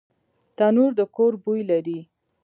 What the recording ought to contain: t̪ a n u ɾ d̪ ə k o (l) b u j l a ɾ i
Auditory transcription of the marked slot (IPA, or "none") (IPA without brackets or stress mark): ɾ